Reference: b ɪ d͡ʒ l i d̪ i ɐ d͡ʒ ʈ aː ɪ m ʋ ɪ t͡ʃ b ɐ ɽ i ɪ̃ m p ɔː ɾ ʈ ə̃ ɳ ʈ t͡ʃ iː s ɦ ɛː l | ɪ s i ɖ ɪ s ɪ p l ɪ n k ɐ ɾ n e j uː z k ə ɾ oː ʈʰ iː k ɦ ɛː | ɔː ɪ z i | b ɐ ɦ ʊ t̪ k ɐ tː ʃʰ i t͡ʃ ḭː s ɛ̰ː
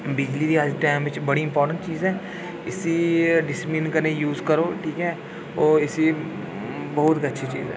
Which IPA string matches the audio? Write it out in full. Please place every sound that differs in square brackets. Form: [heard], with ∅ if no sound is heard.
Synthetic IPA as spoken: b ɪ d͡ʒ l i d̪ i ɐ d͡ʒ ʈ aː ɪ m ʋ ɪ t͡ʃ b ɐ ɽ i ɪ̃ m p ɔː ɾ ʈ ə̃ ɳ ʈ t͡ʃ iː [z] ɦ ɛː [∅] | ɪ s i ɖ ɪ s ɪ p l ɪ n k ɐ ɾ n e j uː z k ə ɾ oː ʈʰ iː k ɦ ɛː | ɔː ɪ [s] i | b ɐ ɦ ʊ t̪ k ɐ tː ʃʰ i t͡ʃ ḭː [z] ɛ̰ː